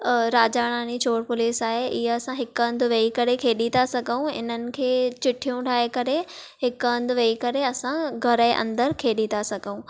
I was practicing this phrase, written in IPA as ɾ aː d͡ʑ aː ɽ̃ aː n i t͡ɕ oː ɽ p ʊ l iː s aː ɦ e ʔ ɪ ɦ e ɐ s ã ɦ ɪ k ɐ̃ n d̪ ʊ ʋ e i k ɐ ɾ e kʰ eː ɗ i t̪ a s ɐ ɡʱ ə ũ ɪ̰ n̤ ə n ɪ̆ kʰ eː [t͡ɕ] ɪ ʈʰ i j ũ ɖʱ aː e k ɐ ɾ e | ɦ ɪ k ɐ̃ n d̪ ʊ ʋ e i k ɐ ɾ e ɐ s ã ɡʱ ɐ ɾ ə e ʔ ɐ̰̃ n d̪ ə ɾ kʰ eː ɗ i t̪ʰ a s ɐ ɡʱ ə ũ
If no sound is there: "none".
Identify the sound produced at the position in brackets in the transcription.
t͡ɕ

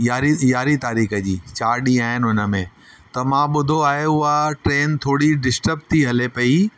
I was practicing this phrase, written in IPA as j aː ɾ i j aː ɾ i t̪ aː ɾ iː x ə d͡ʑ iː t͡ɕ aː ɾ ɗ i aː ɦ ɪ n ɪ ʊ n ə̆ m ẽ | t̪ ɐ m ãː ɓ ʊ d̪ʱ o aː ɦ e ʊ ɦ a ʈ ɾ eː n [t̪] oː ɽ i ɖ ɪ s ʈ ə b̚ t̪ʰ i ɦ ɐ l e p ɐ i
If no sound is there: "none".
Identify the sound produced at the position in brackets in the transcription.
t̪ʰ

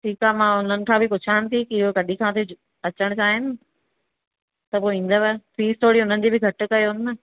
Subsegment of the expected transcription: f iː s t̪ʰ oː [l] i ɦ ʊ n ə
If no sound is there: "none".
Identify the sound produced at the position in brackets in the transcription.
ɽ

